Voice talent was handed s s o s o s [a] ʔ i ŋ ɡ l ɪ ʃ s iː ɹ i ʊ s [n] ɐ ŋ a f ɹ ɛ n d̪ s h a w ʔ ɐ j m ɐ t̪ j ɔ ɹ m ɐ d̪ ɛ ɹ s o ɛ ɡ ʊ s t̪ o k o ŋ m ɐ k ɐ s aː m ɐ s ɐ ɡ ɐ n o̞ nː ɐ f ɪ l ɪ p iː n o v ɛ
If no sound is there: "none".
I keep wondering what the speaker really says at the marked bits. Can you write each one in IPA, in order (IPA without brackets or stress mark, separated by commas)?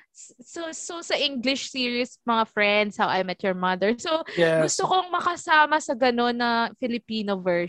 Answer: ɐ, m